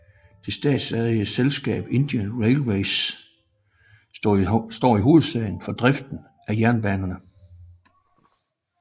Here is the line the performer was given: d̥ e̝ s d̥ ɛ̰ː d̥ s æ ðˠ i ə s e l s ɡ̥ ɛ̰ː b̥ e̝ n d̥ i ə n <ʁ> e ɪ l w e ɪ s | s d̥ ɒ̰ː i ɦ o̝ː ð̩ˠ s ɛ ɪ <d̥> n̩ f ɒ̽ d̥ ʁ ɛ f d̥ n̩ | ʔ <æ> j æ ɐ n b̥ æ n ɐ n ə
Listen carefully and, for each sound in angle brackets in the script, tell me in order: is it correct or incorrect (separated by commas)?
correct, incorrect, correct